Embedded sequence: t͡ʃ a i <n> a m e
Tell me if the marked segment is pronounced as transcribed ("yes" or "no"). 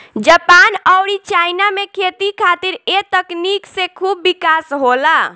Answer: yes